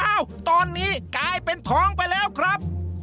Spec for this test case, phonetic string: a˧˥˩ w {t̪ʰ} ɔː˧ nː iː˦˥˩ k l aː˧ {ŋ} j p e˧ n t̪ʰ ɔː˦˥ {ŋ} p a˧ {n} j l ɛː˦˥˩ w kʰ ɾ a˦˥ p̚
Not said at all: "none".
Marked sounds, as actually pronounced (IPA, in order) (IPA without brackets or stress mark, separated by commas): t̪, none, ŋ, none